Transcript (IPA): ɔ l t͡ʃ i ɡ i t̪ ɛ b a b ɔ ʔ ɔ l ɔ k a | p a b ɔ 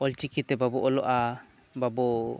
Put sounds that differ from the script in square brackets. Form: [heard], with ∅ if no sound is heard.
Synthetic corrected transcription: ɔ l t͡ʃ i [k] i t̪ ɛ b a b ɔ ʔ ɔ l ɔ [ʔ] a | [b] a b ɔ